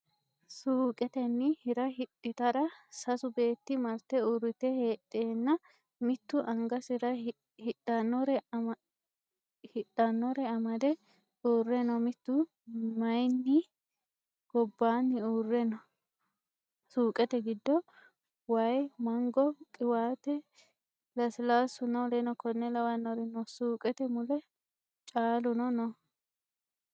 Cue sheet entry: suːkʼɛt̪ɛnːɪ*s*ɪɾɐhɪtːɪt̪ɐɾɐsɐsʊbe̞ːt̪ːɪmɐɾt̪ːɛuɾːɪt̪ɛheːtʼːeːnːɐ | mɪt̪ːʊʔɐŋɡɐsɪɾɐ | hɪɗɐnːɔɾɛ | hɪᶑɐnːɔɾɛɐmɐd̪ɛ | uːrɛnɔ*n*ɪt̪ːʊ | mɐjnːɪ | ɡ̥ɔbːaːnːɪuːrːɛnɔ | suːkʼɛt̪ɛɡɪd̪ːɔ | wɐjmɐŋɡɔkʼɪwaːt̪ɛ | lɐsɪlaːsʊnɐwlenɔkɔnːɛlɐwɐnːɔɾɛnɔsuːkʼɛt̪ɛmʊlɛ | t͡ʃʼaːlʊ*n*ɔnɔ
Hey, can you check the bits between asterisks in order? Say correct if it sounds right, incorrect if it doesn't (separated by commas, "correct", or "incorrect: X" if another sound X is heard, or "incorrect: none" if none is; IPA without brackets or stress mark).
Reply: incorrect: h, incorrect: m, correct